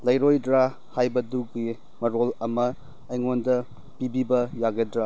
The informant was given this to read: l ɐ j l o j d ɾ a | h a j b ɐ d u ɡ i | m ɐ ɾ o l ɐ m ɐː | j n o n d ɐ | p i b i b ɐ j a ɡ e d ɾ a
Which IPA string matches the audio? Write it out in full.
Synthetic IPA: l ɐ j ɾ o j d ɾ a | h a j b ɐ d u ɡ i | m ɐ ɾ o l ɐ m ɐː | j ŋ o n d ɐ | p i b i b ɐ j a ɡ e d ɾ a